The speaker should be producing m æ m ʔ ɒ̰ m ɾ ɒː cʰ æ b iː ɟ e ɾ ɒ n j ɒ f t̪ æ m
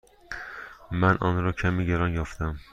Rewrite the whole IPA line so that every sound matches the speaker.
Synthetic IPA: m æ n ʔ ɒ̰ n ɾ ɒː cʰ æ m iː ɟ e ɾ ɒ n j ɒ f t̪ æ m